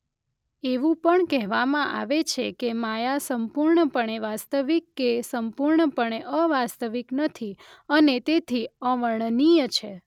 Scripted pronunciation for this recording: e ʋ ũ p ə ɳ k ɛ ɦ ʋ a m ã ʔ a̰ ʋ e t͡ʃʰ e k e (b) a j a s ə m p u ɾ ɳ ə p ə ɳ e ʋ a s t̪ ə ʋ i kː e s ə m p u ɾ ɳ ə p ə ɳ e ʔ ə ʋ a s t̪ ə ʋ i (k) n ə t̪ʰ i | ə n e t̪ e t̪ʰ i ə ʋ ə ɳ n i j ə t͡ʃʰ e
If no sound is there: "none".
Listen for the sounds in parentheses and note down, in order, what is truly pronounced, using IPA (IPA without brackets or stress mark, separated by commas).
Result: m, k